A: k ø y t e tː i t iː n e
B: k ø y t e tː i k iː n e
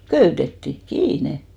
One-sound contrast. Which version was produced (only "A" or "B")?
B